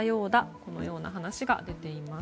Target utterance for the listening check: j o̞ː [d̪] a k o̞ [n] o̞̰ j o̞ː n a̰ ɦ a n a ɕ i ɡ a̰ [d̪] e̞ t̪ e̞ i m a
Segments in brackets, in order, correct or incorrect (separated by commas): correct, correct, correct